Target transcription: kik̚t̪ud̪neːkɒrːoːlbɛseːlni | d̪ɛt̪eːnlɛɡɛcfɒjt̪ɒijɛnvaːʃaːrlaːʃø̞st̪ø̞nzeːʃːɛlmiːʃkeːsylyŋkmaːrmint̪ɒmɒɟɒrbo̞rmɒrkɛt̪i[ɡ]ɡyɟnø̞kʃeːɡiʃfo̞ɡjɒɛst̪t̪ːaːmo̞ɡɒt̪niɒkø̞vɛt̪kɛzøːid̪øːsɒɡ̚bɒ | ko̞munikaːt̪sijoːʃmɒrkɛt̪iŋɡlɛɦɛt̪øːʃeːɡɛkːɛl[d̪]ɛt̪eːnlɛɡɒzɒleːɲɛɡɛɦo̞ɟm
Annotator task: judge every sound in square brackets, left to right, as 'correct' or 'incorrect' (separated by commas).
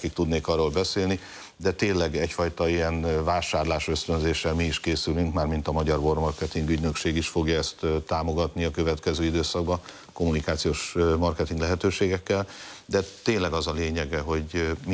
incorrect, correct